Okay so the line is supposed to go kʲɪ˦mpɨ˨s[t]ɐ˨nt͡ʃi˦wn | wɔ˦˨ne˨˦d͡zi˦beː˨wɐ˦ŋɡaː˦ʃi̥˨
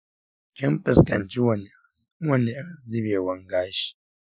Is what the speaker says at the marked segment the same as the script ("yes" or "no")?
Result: no